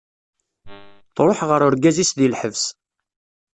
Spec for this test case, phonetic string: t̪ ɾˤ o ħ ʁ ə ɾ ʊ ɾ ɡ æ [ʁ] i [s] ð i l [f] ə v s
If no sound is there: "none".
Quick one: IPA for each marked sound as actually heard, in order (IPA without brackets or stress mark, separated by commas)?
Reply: z, s, ħ